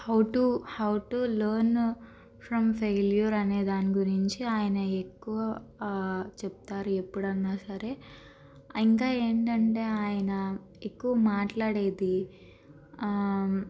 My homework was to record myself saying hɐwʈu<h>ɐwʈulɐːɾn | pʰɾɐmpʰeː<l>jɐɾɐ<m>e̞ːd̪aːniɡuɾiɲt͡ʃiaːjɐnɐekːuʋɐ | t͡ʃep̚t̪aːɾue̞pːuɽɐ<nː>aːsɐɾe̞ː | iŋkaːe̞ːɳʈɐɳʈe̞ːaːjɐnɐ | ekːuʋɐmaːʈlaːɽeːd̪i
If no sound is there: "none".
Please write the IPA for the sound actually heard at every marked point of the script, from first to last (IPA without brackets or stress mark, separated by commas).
h, l, n, nː